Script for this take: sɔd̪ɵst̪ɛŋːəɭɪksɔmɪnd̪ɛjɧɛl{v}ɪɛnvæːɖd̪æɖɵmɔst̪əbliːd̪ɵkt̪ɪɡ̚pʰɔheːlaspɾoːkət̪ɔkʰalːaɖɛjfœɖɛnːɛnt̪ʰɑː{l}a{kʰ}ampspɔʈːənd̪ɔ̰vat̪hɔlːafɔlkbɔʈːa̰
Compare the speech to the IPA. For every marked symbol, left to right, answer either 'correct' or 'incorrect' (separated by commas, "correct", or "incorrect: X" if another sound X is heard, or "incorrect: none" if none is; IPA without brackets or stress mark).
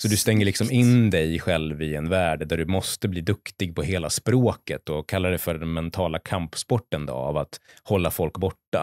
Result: correct, correct, correct